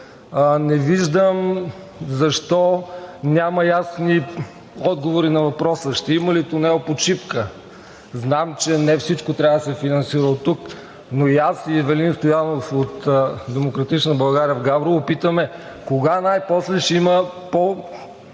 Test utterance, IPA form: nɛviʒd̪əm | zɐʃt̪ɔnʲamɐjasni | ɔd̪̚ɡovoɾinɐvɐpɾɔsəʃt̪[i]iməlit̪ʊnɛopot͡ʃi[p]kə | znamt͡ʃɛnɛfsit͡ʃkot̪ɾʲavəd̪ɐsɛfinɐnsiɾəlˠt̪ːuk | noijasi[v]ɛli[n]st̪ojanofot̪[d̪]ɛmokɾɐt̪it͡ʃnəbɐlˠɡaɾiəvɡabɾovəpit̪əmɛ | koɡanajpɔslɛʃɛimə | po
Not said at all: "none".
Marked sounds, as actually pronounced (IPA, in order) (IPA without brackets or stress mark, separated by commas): ɛ, p, v, n, d̪